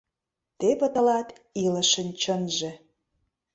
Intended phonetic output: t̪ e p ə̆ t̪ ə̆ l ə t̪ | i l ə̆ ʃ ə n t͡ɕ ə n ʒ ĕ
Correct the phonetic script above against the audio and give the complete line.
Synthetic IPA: t̪ e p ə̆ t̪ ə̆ l ɑ t̪ | i l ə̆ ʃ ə n t͡ɕ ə n ʒ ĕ